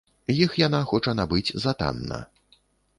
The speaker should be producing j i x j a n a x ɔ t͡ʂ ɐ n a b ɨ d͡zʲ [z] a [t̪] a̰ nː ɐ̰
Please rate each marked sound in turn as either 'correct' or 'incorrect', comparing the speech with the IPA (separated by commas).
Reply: correct, correct